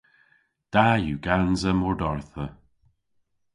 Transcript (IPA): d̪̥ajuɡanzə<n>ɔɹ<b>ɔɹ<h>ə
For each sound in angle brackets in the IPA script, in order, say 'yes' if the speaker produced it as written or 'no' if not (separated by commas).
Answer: no, no, no